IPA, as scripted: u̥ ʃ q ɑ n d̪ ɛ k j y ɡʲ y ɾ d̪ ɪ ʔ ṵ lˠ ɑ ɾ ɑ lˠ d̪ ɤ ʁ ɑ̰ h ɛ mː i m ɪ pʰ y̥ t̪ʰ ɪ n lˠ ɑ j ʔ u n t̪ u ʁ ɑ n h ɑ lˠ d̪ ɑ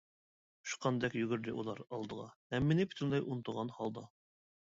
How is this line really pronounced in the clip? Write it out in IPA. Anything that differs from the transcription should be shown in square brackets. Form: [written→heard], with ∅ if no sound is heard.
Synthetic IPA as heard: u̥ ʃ q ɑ n d̪ ɛ k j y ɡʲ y ɾ d̪ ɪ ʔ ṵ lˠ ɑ ɾ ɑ lˠ d̪ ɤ ʁ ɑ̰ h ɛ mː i [m→n] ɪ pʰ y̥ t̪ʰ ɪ n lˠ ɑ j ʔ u n t̪ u ʁ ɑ n h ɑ lˠ d̪ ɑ